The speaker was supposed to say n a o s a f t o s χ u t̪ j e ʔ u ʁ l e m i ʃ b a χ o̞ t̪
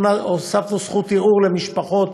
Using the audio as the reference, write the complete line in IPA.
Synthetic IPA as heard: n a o s a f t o s χ u t̪ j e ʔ u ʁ l e m i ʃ p a χ o̞ t̪